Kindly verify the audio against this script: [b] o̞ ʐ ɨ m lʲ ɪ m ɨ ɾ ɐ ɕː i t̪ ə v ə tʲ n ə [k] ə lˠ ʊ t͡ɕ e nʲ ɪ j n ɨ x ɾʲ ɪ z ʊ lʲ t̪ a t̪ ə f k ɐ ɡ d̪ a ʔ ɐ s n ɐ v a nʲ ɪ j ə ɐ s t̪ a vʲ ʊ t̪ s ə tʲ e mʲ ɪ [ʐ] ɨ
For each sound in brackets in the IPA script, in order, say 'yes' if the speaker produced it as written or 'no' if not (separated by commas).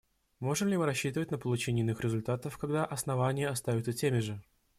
no, no, yes